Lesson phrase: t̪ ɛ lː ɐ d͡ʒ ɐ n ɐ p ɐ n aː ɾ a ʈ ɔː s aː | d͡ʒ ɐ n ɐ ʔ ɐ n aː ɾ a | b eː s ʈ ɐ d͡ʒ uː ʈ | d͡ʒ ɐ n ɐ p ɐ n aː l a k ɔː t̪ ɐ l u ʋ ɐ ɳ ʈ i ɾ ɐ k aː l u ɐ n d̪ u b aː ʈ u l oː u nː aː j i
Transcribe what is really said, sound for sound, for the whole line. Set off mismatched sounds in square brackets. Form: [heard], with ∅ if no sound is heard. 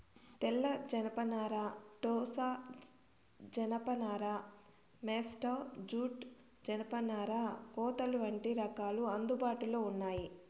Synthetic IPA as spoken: t̪ ɛ lː ɐ d͡ʒ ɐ n ɐ p ɐ n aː ɾ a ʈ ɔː s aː | d͡ʒ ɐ n ɐ [p] ɐ n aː ɾ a | [m] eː s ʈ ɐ d͡ʒ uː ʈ | d͡ʒ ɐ n ɐ p ɐ n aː [ɾ] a k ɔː t̪ ɐ l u ʋ ɐ ɳ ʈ i ɾ ɐ k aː l u ɐ n d̪ u b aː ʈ u l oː u nː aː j i